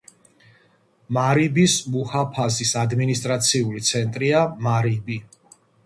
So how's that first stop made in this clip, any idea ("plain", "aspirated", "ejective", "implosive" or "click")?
plain